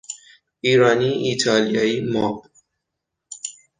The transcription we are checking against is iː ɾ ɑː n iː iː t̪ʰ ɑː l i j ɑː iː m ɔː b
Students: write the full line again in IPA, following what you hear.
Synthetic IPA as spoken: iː ɾ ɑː n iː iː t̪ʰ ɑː l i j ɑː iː m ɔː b